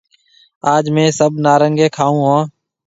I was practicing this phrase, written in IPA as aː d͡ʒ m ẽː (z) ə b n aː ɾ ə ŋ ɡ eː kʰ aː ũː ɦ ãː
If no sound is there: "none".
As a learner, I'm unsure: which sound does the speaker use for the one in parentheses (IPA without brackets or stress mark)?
s